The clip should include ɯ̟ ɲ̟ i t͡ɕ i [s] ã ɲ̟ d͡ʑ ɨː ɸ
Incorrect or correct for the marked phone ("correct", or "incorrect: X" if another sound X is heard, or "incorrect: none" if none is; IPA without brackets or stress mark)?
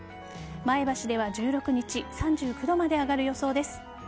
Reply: correct